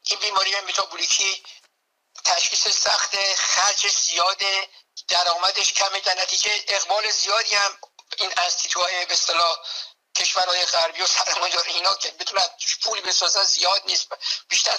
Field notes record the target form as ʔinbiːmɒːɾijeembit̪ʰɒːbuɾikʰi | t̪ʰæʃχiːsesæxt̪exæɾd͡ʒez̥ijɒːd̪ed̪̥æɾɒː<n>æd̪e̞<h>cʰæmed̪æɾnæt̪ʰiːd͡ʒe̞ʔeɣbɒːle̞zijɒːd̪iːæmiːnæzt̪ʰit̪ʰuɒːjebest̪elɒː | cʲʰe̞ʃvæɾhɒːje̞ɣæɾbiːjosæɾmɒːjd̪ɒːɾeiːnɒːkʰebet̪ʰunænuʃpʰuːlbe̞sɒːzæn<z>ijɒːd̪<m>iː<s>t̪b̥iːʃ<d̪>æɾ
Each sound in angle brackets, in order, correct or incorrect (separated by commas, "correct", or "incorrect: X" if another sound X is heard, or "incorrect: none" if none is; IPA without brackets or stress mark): incorrect: m, incorrect: ʃ, correct, incorrect: n, correct, incorrect: t̪